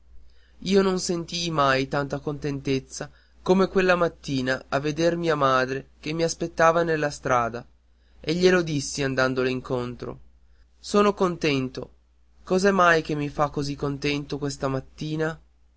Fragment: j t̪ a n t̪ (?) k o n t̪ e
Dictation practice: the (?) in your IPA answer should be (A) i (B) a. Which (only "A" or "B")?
B